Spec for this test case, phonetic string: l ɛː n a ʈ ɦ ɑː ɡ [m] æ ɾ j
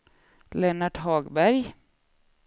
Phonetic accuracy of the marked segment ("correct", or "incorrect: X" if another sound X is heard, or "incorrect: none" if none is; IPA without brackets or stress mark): incorrect: b